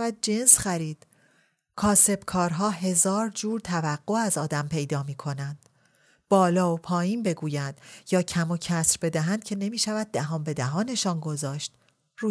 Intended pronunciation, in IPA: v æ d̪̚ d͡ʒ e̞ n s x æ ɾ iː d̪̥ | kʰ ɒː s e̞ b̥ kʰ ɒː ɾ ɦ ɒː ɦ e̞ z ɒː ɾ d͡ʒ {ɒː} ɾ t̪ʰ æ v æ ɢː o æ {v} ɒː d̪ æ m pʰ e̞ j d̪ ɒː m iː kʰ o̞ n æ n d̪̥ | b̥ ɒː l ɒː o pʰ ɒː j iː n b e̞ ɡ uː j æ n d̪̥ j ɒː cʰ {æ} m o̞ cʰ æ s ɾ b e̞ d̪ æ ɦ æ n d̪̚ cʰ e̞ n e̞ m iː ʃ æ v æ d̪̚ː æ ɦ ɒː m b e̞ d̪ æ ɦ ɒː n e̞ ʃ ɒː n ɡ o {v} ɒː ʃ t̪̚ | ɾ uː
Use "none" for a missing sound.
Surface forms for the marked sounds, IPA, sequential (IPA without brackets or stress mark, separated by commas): uː, z, æ, z